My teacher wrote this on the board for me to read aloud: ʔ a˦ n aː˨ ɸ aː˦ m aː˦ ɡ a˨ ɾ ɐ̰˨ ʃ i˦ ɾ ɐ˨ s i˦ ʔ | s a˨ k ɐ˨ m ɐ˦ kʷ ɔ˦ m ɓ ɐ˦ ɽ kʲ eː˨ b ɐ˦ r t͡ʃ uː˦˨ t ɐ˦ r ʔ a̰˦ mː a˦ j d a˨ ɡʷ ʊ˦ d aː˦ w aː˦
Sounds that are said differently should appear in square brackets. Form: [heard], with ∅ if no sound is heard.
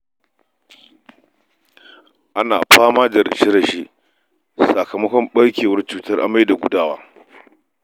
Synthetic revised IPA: ʔ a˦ n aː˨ ɸ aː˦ m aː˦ [d] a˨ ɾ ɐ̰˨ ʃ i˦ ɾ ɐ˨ [ʃ] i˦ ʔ | s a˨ k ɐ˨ m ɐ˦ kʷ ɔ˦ m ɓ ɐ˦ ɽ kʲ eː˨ [w] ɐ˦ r t͡ʃ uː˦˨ t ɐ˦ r ʔ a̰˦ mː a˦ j d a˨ ɡʷ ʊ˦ d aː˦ w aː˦

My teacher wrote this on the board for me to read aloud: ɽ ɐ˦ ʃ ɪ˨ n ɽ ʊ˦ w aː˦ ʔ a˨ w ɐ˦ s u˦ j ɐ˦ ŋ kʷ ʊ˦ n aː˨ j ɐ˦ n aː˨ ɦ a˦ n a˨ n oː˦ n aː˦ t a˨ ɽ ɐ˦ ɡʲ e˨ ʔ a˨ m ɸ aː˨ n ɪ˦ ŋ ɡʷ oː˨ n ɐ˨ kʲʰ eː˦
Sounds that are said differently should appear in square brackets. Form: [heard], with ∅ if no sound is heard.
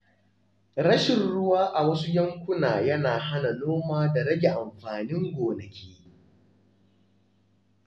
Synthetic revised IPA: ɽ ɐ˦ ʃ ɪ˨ n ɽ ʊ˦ w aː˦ ʔ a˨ w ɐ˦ s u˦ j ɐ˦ ŋ kʷ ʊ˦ n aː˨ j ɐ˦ n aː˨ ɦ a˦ n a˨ n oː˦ [m] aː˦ [d] a˨ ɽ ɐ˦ ɡʲ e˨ ʔ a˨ m ɸ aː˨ n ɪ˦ ŋ ɡʷ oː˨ n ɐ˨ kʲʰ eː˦

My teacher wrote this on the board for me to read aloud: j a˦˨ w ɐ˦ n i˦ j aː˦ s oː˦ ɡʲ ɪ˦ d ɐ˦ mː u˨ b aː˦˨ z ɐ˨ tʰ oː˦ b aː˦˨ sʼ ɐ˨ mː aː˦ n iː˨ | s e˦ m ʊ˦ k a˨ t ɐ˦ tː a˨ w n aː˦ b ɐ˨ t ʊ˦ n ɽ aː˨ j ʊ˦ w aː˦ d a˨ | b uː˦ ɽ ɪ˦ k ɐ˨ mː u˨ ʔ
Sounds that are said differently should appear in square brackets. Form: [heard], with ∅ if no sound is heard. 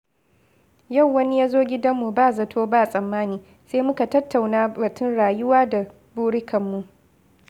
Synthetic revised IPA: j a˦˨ [wː] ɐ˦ n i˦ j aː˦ [z] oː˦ ɡʲ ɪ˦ d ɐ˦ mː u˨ b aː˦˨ z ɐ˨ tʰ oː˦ b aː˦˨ sʼ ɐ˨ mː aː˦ n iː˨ | s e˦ m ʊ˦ k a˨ t ɐ˦ tː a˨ w n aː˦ b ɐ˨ t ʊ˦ n ɽ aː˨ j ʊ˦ w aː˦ d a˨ | b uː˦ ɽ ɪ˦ k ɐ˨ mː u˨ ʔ

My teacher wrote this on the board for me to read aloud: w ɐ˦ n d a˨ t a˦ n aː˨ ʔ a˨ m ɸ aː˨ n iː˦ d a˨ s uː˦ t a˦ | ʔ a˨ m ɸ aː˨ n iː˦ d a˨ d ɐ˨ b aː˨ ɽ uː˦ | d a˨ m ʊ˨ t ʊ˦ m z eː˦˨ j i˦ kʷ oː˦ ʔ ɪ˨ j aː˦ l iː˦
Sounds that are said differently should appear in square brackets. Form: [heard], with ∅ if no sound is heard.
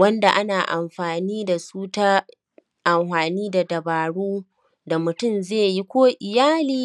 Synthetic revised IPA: w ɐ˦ n d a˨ [ʔ] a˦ n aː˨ ʔ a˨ m ɸ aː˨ n iː˦ d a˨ s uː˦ t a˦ | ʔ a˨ m ɸ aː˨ n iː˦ d a˨ d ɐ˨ b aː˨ ɽ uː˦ | d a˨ m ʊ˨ t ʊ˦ m z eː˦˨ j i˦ kʷ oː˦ ʔ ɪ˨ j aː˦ l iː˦

